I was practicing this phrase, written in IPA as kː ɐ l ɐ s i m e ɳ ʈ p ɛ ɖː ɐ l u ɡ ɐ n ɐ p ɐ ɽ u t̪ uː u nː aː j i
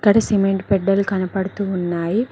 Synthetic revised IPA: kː ɐ ɽ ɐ s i m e ɳ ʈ p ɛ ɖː ɐ l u k ɐ n ɐ p ɐ ɽ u t̪ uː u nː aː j i

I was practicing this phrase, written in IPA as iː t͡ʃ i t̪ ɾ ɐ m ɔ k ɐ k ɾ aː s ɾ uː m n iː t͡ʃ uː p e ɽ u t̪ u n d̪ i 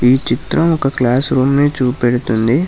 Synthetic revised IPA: iː t͡ʃ i t̪ ɾ ɐ m ɔ k ɐ k l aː s ɾ uː m n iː t͡ʃ uː p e ɽ u t̪ u n d̪ i

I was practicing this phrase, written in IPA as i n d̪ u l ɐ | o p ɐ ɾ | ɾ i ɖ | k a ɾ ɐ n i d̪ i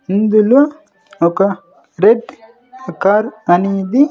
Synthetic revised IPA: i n d̪ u l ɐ | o k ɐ | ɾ e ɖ | k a ɾ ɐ n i d̪ i

